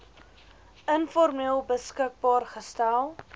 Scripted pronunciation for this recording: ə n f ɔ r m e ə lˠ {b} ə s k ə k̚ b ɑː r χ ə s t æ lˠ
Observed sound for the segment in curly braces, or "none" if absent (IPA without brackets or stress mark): b